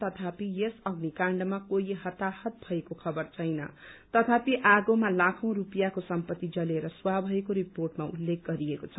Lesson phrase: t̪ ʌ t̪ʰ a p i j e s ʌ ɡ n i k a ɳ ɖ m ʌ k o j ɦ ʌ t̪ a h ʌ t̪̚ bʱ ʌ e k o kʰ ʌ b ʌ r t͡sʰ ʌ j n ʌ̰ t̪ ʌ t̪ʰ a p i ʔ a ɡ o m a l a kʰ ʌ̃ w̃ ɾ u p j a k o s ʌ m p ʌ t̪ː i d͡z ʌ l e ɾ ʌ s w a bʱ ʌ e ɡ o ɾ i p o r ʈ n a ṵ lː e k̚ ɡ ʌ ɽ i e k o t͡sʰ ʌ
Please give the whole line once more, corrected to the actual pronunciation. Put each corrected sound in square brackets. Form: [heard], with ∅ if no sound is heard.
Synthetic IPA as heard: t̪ ʌ t̪ʰ a p i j e s ʌ ɡ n i k a ɳ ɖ m [a] k o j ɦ ʌ t̪ a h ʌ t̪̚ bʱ ʌ e k o kʰ ʌ b ʌ r t͡sʰ ʌ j n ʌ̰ t̪ ʌ t̪ʰ a p i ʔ a ɡ o m a l a kʰ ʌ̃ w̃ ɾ u p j a k o s ʌ m p ʌ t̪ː i d͡z ʌ l e ɾ ʌ s w a bʱ ʌ e [k] o ɾ i p o r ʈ [m] a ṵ lː e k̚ ɡ ʌ [ɾ] i e k o t͡sʰ ʌ